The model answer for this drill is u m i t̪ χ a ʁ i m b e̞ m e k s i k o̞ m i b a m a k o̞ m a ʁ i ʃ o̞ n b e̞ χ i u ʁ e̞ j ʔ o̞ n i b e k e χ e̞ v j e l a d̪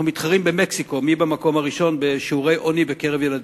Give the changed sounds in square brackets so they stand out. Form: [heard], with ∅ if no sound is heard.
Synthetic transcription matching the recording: u m i t̪ χ a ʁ i m b e̞ m e k s i k o̞ m i b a m a k o̞ m a ʁ i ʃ o̞ n b e̞ [ʃ] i u ʁ e̞ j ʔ o̞ n i b e k e [ʁ] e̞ v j e l a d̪